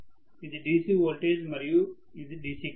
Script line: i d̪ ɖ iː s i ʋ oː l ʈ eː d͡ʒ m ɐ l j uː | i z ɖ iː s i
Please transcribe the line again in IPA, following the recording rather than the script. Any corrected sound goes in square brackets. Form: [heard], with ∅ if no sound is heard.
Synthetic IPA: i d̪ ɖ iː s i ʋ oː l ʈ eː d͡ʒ m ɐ [ɾ] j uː | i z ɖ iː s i